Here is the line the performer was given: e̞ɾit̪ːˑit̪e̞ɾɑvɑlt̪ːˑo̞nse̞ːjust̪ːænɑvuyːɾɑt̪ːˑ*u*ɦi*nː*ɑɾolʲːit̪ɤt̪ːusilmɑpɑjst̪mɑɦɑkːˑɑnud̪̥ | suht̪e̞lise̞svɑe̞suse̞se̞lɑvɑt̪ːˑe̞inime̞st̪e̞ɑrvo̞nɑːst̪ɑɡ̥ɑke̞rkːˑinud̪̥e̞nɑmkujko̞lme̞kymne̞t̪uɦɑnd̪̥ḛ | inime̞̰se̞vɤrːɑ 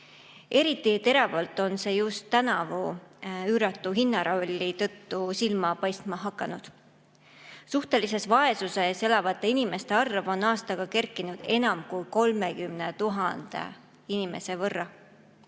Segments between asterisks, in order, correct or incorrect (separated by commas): correct, correct